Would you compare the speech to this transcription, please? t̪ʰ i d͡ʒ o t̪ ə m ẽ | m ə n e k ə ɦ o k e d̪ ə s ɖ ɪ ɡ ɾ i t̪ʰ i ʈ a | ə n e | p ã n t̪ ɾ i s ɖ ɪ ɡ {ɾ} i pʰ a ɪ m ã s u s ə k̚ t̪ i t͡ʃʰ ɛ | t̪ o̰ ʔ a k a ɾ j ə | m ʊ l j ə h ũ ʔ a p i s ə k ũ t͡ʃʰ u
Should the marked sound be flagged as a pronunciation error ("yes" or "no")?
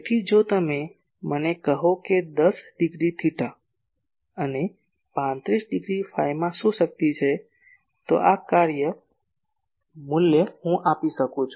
no